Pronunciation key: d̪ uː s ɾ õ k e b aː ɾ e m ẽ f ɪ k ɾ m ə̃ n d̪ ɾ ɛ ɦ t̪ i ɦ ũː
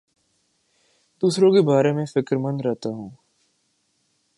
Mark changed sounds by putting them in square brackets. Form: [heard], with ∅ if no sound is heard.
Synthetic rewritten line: d̪ uː s ɾ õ k e b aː ɾ e m ẽ f ɪ k ɾ m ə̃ n d̪ ɾ ɛ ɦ t̪ [a] ɦ ũː